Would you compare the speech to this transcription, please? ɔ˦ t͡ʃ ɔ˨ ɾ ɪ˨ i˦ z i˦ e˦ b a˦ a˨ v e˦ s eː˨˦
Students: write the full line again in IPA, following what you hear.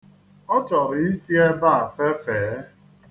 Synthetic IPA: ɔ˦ t͡ʃ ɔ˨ ɾ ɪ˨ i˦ s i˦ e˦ b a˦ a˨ f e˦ f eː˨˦